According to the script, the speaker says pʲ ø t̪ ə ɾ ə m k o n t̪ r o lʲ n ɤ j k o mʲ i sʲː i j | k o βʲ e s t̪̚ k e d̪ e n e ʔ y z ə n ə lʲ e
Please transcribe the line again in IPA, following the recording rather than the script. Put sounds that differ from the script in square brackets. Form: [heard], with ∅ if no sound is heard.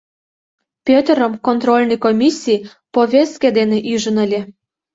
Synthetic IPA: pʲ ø t̪ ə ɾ ə m k o n t̪ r o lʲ n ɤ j k o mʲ i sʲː i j | [p] o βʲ e s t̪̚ k e d̪ e n e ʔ y [ʒ] ə n ə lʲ e